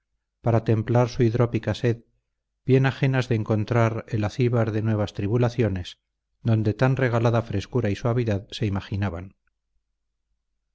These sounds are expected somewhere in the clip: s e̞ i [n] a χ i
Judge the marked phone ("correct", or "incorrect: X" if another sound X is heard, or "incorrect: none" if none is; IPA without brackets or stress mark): incorrect: m